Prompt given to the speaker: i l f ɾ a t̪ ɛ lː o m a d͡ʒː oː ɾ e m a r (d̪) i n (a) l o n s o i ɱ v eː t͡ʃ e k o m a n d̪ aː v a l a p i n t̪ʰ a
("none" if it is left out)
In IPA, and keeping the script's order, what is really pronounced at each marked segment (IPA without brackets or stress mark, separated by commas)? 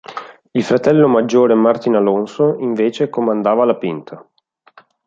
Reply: t̪, a